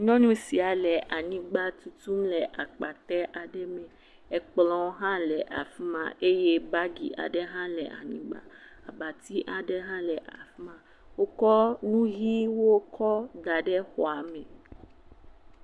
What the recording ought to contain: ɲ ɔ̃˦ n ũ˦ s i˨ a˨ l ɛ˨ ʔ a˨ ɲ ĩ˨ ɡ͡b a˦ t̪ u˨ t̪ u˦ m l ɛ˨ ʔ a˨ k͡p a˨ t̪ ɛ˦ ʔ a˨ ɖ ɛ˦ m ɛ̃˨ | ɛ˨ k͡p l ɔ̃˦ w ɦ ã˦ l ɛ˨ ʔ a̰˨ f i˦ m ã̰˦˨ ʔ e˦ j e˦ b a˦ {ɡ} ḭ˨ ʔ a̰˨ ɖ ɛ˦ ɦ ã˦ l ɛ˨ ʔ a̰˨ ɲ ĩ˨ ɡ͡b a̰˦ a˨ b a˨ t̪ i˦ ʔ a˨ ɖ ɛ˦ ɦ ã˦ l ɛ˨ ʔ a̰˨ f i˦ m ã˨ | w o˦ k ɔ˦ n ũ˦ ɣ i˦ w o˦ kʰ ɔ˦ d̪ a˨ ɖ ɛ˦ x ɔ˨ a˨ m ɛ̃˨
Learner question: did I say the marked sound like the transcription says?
yes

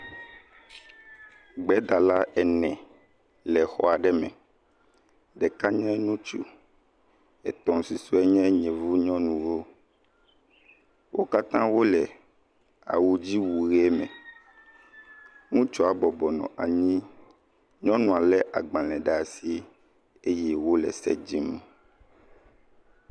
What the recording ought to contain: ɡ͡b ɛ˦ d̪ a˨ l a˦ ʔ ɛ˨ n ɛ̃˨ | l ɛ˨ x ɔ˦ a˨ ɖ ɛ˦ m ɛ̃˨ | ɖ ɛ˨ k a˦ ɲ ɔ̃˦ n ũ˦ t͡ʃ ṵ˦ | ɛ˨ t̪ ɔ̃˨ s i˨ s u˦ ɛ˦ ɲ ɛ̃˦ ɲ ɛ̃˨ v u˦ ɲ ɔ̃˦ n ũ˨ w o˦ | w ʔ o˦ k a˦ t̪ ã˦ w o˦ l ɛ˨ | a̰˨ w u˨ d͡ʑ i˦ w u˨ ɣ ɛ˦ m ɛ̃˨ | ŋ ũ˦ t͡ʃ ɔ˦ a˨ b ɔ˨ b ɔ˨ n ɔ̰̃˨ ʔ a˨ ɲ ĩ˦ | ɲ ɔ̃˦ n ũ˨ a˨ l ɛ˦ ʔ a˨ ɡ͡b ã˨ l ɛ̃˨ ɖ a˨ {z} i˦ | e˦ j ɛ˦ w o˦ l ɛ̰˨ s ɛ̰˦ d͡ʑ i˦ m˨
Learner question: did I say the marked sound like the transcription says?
no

